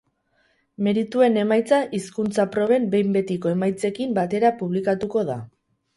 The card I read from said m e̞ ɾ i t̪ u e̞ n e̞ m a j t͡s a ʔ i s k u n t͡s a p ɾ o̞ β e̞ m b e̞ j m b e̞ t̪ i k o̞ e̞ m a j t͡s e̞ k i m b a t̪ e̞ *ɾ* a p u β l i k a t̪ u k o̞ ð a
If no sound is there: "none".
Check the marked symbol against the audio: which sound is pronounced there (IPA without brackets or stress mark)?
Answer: ɾ